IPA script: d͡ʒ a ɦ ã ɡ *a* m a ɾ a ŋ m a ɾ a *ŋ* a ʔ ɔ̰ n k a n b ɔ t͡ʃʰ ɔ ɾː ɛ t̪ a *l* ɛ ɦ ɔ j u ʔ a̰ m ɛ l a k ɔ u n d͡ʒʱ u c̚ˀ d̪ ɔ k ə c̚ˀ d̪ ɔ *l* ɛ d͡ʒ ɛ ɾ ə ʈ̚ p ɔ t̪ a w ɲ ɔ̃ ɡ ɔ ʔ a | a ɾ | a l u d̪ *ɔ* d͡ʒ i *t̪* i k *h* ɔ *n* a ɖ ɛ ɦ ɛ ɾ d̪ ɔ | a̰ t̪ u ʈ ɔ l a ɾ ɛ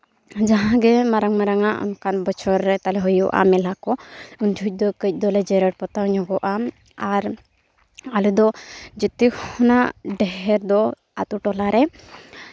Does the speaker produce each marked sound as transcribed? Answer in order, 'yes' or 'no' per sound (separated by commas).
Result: no, yes, yes, yes, yes, yes, yes, yes